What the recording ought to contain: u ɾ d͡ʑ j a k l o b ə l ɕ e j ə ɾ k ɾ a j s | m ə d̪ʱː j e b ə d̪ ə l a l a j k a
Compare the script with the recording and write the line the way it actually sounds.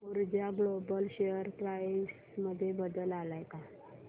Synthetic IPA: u ɾ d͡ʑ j a ɡ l o b ə l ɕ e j ə ɾ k ɾ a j s | m ə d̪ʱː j e b ə d̪ ə l a l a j k a